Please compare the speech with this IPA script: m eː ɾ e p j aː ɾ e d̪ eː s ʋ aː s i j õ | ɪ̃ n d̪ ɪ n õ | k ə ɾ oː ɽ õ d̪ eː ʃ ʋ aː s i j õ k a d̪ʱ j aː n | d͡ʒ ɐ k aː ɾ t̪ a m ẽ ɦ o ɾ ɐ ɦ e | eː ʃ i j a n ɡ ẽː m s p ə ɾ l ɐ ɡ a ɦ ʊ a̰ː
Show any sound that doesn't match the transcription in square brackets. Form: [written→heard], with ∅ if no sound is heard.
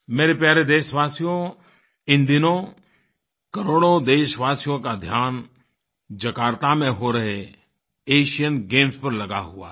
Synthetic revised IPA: m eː ɾ e p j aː ɾ e d̪ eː [s→ʃ] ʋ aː s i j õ | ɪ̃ n d̪ ɪ n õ | k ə ɾ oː ɽ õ d̪ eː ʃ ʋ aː s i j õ k a d̪ʱ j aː n | d͡ʒ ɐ k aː ɾ t̪ a m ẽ ɦ o ɾ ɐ ɦ e | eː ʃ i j [a→ə] n ɡ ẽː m s p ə ɾ l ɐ ɡ a ɦ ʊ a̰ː

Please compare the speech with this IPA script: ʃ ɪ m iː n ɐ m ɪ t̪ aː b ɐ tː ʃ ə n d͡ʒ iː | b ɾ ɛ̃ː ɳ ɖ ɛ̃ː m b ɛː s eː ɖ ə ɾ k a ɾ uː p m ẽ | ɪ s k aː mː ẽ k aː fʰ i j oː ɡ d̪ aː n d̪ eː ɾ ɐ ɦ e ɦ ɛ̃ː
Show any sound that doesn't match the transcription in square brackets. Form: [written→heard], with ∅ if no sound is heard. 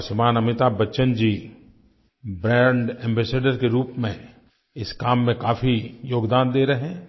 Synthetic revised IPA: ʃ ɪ m [iː→aː] n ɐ m ɪ t̪ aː b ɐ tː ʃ ə n d͡ʒ iː | b ɾ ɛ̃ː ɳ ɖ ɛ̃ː m b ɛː s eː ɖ ə ɾ k [a→e] ɾ uː p m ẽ | ɪ s k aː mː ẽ k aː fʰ i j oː ɡ d̪ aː n d̪ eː ɾ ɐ ɦ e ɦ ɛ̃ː

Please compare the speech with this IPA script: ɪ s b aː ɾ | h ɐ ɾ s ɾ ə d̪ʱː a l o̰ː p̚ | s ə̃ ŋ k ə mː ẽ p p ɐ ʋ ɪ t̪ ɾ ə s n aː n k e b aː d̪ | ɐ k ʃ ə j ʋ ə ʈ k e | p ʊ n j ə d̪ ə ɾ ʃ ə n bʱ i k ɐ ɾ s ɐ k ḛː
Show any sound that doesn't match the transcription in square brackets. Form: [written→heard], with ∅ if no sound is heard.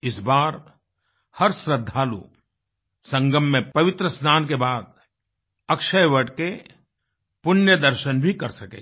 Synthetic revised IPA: ɪ s b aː ɾ | h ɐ ɾ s ɾ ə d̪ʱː a l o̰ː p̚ | s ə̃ ŋ [k→ɡ] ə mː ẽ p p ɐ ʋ ɪ t̪ ɾ ə s n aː n k e b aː d̪ | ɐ k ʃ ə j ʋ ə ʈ k e | p ʊ n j ə d̪ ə ɾ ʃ ə n bʱ i k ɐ ɾ s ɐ k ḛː

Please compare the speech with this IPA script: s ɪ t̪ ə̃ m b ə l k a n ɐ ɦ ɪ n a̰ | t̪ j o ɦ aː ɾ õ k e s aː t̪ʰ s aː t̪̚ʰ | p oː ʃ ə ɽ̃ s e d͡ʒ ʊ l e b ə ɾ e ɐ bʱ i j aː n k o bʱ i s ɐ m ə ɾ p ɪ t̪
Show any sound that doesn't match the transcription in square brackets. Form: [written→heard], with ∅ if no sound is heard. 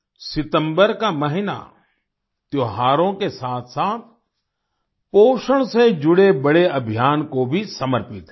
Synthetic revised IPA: s ɪ t̪ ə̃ m b ə [l→ɾ] k a [n→m] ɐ ɦ ɪ n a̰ | t̪ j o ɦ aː ɾ õ k e s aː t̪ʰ s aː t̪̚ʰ | p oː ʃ ə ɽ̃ s e d͡ʒ ʊ [l→ɽ] e b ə [ɾ→ɽ] e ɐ bʱ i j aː n k o bʱ i s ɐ m ə ɾ p ɪ t̪

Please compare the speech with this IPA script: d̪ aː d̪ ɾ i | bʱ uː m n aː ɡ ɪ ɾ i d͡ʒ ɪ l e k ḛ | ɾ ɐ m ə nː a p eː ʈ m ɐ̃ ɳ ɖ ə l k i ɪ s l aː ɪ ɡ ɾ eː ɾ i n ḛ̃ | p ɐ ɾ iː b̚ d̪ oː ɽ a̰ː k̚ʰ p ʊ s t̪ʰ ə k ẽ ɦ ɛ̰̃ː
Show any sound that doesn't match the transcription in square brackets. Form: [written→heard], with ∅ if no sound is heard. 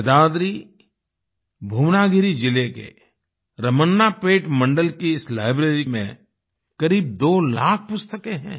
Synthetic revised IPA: d̪ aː d̪ ɾ i | bʱ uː m n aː ɡ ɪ ɾ i d͡ʒ ɪ l e k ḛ | ɾ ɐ m ə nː a p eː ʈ m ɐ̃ ɳ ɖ ə l k i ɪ s l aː ɪ [ɡ→b] ɾ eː ɾ i [n→m] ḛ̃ | [p→k] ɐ ɾ iː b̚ d̪ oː [ɽ→l] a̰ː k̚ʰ p ʊ s [t̪ʰ→t̪] ə k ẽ ɦ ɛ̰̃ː

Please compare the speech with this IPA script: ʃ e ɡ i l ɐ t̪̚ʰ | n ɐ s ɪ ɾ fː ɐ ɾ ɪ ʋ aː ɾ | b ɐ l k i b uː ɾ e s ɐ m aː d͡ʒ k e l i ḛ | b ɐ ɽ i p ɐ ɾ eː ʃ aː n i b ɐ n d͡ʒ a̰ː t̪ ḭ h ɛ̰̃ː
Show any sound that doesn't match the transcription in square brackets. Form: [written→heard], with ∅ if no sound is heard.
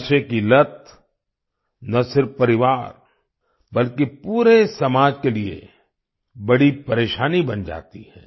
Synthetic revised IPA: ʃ e [ɡ→k] i l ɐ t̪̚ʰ | n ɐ s ɪ ɾ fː ɐ ɾ ɪ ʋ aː ɾ | b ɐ l k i [b→p] uː ɾ e s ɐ m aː d͡ʒ k e l i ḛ | b ɐ ɽ i p ɐ ɾ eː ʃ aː n i b ɐ n d͡ʒ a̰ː t̪ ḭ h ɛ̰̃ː

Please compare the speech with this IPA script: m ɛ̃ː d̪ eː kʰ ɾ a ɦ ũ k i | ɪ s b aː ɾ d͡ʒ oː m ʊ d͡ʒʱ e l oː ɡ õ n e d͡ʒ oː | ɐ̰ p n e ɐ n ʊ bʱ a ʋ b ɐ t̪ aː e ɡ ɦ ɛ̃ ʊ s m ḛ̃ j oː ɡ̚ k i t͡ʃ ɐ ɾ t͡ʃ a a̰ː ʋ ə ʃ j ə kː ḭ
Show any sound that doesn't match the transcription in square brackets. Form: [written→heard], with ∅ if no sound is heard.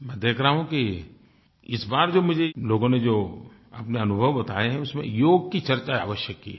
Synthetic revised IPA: m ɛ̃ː d̪ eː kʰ ɾ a ɦ ũ k i | ɪ s b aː ɾ d͡ʒ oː m ʊ d͡ʒʱ e l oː ɡ õ n e d͡ʒ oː | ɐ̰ p n e ɐ n ʊ bʱ [a→ə] ʋ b ɐ t̪ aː e [ɡ→∅] ɦ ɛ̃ ʊ s m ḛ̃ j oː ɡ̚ k i t͡ʃ ɐ ɾ t͡ʃ a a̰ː ʋ ə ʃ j ə kː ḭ

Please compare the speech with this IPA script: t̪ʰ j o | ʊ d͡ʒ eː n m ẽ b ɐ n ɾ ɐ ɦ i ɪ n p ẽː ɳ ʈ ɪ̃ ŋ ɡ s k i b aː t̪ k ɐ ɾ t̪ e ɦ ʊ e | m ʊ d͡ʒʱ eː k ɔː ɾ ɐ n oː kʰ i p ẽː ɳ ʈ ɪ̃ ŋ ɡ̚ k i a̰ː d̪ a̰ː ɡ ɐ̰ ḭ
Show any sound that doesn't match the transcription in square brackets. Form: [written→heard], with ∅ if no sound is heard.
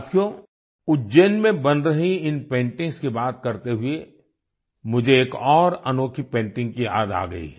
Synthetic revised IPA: t̪ʰ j o | ʊ d͡ʒ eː n m ẽ b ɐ n ɾ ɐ ɦ i ɪ n p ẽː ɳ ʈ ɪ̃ ŋ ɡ s k i b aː t̪ k ɐ ɾ t̪ e ɦ ʊ e | m ʊ d͡ʒʱ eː k ɔː ɾ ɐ n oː kʰ i p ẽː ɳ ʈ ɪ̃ ŋ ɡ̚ k i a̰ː d̪ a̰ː ɡ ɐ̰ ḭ

